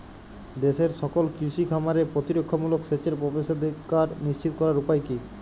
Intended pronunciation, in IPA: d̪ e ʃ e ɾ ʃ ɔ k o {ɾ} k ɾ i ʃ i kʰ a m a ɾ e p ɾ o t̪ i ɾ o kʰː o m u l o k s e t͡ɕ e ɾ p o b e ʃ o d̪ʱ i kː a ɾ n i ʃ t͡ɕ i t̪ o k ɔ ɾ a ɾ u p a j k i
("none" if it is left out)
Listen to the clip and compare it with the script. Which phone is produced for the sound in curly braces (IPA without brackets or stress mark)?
l